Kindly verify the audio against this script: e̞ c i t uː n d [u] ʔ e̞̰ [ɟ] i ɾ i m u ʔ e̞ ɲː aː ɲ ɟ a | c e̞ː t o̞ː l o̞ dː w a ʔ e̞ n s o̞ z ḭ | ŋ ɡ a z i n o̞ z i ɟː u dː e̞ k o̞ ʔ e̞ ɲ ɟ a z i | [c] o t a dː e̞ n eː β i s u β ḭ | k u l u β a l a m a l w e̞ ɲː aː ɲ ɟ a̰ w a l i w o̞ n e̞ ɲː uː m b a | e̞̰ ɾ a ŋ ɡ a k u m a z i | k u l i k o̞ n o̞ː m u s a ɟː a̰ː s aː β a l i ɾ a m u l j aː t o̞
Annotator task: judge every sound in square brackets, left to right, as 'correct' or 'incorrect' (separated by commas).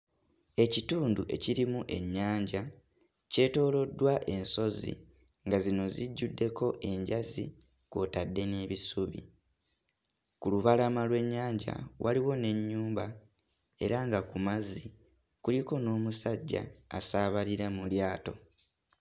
correct, incorrect, incorrect